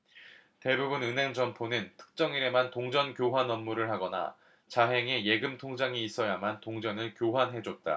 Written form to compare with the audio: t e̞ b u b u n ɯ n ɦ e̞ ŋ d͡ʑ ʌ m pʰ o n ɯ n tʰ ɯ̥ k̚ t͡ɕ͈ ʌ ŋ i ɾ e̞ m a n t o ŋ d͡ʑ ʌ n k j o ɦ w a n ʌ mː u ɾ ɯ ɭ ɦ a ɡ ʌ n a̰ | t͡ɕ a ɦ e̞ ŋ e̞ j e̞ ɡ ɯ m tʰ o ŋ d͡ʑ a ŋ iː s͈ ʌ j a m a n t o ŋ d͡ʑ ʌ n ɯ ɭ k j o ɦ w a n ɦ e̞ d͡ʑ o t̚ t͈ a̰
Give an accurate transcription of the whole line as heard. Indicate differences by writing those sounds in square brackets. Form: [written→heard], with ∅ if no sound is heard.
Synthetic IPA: t e̞ b u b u n ɯ n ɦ e̞ ŋ d͡ʑ ʌ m pʰ o n ɯ n tʰ ɯ̥ k̚ t͡ɕ͈ ʌ ŋ i ɾ e̞ m a n t o ŋ d͡ʑ ʌ n k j o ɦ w a n ʌ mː u ɾ ɯ ɭ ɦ a ɡ ʌ n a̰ | t͡ɕ a ɦ e̞ ŋ e̞ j e̞ ɡ ɯ m tʰ o ŋ d͡ʑ a ŋ iː s͈ ʌ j a m a n t o ŋ d͡ʑ ʌ n ɯ ɭ k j o ɦ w a n ɦ e̞ d͡ʑ o t̚ t͈ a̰